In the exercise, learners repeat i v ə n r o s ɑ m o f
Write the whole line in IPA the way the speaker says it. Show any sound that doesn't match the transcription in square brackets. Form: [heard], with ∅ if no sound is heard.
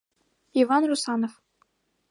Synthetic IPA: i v [ɑ] n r [u] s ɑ [n] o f